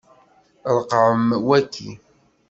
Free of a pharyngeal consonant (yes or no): no